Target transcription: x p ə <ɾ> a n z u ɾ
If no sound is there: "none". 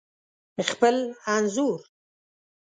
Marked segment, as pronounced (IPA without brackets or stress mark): l